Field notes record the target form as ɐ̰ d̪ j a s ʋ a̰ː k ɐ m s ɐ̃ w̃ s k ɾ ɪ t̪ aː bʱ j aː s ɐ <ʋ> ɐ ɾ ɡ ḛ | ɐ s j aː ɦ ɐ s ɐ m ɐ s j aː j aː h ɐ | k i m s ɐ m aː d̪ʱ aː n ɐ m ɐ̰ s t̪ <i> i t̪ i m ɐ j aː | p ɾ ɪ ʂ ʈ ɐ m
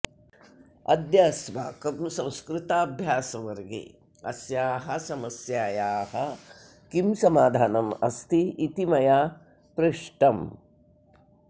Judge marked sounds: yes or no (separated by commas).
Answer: yes, yes